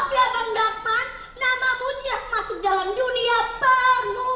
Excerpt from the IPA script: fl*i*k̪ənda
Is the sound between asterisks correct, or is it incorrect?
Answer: incorrect